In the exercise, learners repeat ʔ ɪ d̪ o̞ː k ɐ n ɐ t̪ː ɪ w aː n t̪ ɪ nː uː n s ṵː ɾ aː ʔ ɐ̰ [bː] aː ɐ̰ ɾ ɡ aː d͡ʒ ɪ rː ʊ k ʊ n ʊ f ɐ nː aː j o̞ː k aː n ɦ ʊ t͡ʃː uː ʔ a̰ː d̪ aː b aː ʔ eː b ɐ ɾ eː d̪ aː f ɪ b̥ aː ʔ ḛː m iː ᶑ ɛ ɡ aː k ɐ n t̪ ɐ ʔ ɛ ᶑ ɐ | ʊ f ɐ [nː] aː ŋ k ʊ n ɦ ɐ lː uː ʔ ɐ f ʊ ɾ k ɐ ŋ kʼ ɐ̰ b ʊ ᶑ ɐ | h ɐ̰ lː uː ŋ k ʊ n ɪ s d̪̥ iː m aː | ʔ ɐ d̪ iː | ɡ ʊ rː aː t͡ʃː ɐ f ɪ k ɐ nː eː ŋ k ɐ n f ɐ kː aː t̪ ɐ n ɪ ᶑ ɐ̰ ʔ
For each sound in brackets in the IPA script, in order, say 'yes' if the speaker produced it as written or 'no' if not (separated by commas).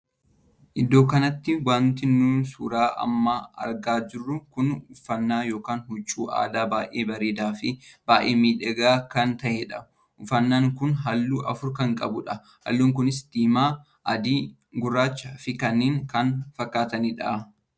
no, yes